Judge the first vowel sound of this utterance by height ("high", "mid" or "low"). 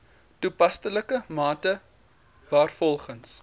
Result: high